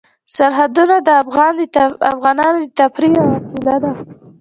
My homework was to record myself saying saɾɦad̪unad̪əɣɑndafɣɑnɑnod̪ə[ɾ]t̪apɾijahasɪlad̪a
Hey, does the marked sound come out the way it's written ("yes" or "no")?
no